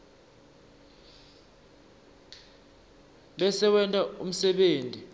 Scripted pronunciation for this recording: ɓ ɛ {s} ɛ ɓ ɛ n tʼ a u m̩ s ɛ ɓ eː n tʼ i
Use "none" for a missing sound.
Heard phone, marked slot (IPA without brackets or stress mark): s